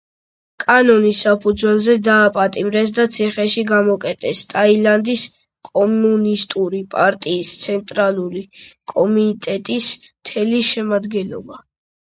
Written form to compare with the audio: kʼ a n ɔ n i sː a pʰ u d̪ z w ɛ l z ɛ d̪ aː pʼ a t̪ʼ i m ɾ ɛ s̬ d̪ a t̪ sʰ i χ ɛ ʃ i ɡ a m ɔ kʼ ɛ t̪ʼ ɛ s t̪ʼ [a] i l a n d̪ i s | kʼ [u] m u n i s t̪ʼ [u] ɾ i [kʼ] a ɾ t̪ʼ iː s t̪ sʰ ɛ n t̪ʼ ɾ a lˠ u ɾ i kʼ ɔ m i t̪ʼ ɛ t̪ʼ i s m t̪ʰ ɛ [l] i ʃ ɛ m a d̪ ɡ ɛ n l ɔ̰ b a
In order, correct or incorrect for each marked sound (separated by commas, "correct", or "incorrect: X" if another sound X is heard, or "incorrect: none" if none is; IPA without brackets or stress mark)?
correct, incorrect: ɔ, correct, incorrect: pʼ, correct